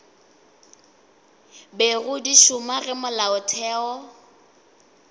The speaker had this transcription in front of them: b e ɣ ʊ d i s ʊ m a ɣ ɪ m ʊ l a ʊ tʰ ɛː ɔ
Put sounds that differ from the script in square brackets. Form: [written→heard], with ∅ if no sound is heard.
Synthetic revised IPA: b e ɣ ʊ d i [s→ʃ] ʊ m a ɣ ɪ m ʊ l a ʊ tʰ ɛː ɔ